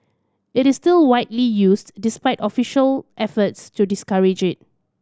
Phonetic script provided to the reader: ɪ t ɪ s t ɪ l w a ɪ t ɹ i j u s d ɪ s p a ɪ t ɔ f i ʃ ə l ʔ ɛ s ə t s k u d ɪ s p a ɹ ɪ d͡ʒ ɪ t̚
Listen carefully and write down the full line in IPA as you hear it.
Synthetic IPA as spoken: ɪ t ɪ s t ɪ l w a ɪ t l i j u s d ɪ s p a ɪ t ɔ f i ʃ ə l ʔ ɛ f ə t s t u d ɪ s k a ɹ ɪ d͡ʒ ɪ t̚